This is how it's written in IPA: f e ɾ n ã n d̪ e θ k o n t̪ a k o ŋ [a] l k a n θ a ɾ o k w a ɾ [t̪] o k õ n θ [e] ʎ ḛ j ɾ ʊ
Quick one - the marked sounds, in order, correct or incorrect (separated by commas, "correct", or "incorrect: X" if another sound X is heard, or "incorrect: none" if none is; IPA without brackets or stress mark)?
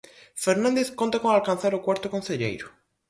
correct, correct, correct